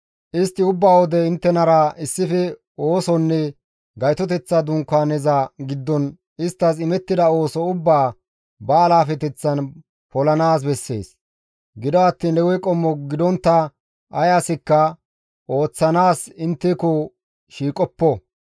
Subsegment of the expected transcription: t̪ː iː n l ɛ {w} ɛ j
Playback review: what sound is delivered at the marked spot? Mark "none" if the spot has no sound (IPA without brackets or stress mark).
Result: w